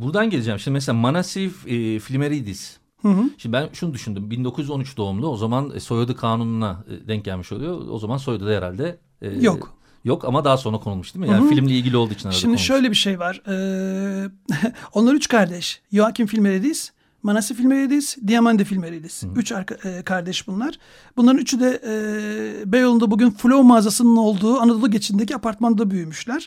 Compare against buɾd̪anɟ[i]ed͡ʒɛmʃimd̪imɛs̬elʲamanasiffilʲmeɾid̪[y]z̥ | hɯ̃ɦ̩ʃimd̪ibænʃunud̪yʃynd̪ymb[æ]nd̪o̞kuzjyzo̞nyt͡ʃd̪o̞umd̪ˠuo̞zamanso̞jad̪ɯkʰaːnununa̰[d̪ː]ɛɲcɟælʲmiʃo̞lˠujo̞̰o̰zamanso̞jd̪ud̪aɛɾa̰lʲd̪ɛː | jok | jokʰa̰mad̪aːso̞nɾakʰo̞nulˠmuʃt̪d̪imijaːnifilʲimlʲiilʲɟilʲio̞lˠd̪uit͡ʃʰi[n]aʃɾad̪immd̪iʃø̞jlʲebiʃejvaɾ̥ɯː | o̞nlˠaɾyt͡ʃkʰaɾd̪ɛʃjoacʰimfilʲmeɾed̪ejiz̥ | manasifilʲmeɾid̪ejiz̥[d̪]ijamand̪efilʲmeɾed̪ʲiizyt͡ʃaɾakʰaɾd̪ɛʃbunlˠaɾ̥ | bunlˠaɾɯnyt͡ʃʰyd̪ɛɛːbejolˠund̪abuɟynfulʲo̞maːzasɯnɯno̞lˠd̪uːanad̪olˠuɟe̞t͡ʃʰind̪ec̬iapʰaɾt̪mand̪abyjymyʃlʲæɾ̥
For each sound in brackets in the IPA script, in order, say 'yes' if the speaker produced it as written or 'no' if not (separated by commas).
no, no, no, no, yes, yes